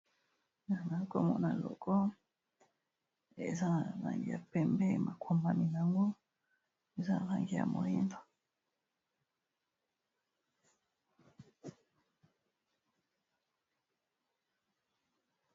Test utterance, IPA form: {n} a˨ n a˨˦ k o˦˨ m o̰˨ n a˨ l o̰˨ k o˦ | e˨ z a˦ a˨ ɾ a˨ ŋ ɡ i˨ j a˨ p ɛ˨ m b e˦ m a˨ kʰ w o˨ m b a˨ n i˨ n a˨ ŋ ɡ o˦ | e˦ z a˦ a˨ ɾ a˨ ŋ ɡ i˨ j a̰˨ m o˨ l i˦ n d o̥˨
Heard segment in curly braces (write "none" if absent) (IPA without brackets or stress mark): n